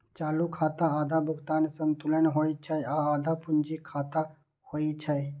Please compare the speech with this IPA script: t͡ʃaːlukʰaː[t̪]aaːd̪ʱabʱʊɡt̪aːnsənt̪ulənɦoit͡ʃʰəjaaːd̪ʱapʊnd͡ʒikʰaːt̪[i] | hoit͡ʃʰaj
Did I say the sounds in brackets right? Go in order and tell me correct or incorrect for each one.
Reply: correct, incorrect

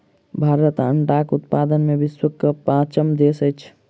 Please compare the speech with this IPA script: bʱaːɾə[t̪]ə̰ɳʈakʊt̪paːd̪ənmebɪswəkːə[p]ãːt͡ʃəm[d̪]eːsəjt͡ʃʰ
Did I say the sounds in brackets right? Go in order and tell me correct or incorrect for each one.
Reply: correct, correct, correct

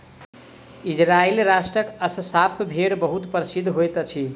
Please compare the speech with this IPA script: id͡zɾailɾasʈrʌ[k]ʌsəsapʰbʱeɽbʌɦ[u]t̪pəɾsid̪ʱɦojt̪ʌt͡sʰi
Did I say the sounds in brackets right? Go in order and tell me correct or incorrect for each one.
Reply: correct, correct

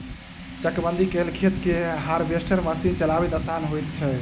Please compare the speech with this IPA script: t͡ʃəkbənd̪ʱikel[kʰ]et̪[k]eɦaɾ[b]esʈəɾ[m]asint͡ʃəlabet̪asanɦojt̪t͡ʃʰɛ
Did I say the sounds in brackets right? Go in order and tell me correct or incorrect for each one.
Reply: correct, correct, correct, correct

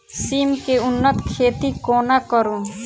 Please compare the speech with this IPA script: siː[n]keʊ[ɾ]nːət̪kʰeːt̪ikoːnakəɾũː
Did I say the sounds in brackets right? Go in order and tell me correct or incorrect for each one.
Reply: incorrect, incorrect

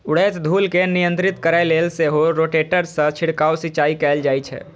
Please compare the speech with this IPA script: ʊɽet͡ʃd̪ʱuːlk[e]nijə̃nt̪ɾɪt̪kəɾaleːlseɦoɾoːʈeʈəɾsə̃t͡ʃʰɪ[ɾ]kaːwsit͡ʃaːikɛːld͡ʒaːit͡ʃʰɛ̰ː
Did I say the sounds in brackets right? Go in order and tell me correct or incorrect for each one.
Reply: correct, incorrect

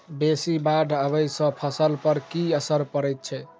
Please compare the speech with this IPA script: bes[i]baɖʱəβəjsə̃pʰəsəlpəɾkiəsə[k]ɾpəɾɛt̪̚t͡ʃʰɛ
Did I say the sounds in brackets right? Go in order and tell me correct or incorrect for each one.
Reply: correct, incorrect

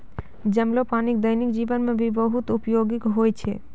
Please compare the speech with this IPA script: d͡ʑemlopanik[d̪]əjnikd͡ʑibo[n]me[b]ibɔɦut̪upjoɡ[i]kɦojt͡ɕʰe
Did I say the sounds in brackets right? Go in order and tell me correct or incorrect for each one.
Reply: correct, correct, correct, correct

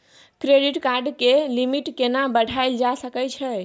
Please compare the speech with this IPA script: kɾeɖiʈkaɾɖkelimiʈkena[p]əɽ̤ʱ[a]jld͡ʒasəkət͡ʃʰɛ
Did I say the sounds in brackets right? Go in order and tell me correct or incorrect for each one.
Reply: incorrect, correct

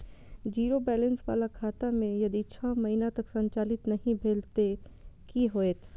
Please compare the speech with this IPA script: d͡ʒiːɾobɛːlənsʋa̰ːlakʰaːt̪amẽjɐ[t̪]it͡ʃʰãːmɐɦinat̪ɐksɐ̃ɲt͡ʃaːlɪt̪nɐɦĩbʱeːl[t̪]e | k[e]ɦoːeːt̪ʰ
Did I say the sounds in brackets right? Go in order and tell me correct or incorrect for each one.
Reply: incorrect, correct, incorrect

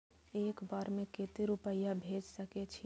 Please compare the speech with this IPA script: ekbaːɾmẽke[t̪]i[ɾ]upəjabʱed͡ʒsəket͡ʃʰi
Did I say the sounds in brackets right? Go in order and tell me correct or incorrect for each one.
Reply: correct, correct

